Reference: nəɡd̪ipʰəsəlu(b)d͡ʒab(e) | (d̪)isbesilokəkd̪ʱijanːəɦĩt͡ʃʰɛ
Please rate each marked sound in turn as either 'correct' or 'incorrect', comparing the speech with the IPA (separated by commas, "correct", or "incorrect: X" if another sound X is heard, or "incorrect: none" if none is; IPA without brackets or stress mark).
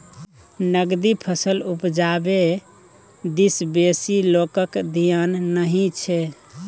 incorrect: p, correct, correct